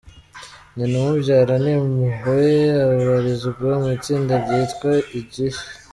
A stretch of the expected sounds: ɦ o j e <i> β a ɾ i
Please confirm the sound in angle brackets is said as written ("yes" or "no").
no